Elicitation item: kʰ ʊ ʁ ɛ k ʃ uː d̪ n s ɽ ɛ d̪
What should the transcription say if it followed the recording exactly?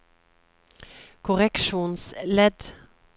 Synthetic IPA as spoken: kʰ ʊ ʁ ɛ k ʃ uː n s l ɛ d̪